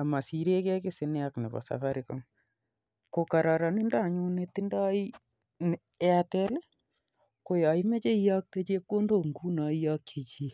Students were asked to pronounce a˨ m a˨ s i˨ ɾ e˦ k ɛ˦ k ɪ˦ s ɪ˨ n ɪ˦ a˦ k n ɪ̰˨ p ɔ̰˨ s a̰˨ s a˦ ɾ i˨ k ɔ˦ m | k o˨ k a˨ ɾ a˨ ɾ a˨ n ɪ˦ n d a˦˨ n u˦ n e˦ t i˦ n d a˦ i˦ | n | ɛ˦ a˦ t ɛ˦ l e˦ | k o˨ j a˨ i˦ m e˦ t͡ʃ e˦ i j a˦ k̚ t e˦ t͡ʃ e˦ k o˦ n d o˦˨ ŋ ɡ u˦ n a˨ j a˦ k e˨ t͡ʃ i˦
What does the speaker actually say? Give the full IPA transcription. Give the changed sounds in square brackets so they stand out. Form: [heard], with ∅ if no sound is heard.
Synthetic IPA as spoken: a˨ m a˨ s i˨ ɾ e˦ k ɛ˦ k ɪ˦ s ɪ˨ n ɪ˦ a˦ k n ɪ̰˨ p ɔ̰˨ s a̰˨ [f] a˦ ɾ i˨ k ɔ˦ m | k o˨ k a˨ ɾ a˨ ɾ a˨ n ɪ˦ n d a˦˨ [ɲ] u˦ n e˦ t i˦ n d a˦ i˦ | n | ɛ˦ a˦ t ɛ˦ l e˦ | k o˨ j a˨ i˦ m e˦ t͡ʃ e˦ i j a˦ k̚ t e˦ t͡ʃ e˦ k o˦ n d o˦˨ ŋ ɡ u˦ n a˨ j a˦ k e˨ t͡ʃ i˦